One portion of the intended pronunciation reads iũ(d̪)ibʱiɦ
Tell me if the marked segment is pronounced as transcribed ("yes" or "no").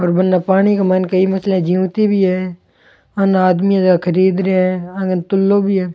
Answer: no